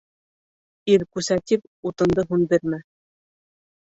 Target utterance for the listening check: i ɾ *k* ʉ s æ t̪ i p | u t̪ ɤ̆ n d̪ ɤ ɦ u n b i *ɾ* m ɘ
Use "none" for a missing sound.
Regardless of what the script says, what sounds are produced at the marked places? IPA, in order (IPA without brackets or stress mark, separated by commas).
k, ɾ